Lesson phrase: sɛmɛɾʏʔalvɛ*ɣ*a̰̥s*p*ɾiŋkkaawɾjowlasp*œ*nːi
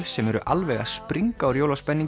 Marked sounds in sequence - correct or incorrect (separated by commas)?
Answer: correct, correct, incorrect